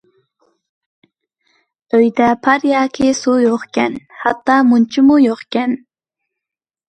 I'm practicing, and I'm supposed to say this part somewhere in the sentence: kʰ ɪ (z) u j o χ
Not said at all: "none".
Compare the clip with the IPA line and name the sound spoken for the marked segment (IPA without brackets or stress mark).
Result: s